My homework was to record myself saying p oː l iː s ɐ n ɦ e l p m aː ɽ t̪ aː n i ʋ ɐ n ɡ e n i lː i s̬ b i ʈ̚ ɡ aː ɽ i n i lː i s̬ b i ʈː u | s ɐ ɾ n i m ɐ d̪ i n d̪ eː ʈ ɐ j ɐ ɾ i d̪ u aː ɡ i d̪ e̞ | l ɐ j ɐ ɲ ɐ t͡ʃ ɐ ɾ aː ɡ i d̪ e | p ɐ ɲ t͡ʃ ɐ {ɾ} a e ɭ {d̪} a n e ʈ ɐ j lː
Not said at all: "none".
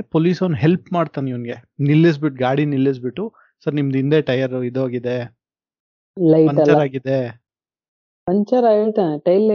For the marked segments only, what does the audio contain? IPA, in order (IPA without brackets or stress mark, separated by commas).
ɾ, t̪